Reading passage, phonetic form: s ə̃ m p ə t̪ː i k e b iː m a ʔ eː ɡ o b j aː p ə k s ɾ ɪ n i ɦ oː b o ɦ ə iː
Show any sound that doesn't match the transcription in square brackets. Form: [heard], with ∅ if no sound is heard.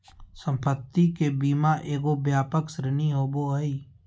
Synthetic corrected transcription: s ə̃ m p ə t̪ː i k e b iː m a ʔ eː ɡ o b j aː p ə k s ɾ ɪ n i ɦ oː b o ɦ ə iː

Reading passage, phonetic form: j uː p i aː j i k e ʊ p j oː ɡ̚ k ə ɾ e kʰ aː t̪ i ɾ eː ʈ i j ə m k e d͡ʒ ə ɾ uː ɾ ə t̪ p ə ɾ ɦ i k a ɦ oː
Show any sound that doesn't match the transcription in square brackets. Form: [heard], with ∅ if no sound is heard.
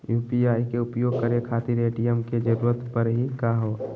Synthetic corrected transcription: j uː p i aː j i k e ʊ p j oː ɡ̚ k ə ɾ e kʰ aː t̪ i ɾ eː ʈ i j ə m k e d͡ʒ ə ɾ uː ɾ ə t̪ p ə ɾ ɦ i k a ɦ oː

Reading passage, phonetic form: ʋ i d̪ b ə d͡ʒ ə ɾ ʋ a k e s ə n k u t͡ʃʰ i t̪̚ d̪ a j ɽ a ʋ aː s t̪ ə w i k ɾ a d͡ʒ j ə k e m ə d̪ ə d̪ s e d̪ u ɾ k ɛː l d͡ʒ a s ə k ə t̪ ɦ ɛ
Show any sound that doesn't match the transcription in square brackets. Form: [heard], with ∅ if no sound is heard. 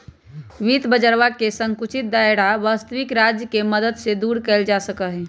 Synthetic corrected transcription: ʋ i [t̪] b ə d͡ʒ ə ɾ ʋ a k e s ə [ŋ] k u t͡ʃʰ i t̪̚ d̪ a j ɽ a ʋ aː s t̪ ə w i k ɾ a d͡ʒ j ə k e m ə d̪ ə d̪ s e d̪ u ɾ k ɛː l d͡ʒ a s ə k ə [∅] ɦ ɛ

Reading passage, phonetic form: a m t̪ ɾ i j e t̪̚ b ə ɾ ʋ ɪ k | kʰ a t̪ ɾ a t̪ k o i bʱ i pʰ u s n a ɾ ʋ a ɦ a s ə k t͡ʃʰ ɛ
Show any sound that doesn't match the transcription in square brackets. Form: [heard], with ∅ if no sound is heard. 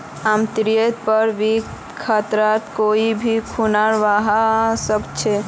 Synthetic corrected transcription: a m t̪ ɾ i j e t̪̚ [p] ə ɾ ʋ [i] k | kʰ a t̪ ɾ a t̪ k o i bʱ i [kʰ] u [∅] n a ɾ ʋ a ɦ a s ə k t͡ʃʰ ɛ

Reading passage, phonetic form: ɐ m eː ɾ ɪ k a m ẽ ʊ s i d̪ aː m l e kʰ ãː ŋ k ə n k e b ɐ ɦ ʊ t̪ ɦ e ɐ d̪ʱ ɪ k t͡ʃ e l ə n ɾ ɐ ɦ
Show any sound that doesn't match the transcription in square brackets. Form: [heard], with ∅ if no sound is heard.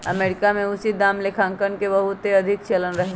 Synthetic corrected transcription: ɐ m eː ɾ ɪ k a m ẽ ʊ s i d̪ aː m l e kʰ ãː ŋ k ə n k e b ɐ ɦ ʊ t̪ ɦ e ɐ d̪ʱ ɪ k t͡ʃ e l ə n ɾ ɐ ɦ

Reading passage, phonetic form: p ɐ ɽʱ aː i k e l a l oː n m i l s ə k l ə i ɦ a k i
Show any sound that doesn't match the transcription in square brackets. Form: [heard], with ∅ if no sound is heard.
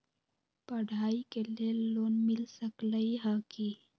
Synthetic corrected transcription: p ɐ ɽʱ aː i k e l [e] l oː n m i l s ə k l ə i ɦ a k i

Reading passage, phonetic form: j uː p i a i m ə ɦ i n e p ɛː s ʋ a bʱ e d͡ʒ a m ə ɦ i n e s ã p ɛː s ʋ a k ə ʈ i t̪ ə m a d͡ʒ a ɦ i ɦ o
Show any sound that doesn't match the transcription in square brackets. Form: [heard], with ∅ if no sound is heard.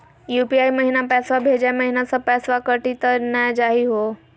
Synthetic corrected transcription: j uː p i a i m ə ɦ i n [a] p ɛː s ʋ a bʱ e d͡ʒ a m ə ɦ i n [a] s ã p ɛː s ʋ a k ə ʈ i t̪ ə [n] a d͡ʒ a ɦ i ɦ o

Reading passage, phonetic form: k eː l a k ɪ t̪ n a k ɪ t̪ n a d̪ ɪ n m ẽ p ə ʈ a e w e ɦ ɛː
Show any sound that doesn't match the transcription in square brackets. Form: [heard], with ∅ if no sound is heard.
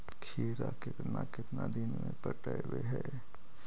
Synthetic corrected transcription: [kʰ] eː [ɾ] a k ɪ t̪ n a k ɪ t̪ n a d̪ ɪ n m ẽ p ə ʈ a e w e ɦ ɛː

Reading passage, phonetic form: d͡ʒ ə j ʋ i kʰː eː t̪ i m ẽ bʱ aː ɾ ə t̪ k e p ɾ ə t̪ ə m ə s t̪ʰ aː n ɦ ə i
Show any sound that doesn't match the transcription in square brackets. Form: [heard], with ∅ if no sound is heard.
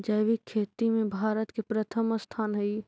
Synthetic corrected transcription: d͡ʒ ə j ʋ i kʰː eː t̪ i m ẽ bʱ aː ɾ ə t̪ k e p ɾ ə [t̪ʰ] ə m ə s t̪ʰ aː n ɦ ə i

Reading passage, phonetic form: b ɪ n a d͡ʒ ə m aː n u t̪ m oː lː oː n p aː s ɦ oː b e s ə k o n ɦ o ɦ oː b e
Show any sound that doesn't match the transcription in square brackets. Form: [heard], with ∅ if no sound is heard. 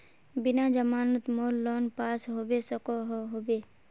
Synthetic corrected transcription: b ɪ n a d͡ʒ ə m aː n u t̪ m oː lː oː n p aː s ɦ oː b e s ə k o [∅] ɦ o ɦ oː b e

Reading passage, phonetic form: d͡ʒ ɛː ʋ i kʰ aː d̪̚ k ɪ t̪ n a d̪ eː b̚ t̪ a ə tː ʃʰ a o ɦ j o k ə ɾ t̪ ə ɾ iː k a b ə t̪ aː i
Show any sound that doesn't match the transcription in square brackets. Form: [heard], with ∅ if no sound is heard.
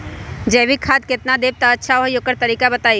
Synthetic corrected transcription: d͡ʒ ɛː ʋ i kʰ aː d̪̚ k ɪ t̪ n a d̪ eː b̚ t̪ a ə tː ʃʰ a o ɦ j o k ə ɾ t̪ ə ɾ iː k a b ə t̪ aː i

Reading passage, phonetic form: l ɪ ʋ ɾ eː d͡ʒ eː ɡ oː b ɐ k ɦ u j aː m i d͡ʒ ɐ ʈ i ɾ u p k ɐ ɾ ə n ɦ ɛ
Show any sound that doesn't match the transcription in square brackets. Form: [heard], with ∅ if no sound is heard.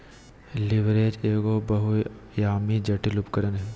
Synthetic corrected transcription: l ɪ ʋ ɾ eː d͡ʒ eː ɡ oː b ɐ [∅] ɦ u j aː m i d͡ʒ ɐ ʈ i [l] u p k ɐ ɾ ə n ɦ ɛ

